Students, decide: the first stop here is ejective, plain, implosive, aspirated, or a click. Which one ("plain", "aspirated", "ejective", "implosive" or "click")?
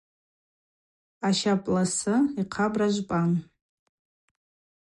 ejective